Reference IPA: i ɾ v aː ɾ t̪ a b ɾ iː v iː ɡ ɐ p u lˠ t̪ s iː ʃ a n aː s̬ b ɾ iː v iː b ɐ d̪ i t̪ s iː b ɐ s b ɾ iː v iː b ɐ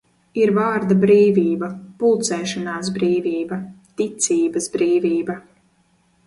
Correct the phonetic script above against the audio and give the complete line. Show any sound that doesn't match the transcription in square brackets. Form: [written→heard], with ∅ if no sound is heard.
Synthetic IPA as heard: i ɾ v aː ɾ [t̪→d̪] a b ɾ iː v iː [ɡ→b] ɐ p u lˠ t̪ s [iː→ɛː] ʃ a n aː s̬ b ɾ iː v iː b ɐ [d̪→t̪] i t̪ s iː b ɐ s b ɾ iː v iː b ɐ